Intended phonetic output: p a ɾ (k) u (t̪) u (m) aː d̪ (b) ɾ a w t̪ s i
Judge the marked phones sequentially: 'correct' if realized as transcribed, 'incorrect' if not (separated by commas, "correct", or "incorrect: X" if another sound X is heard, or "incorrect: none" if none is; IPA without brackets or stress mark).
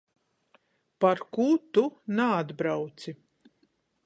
correct, correct, incorrect: n, correct